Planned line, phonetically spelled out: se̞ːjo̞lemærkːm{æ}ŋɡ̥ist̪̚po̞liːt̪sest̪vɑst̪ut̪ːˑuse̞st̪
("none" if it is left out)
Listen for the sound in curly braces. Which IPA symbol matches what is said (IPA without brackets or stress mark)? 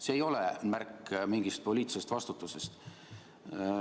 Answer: i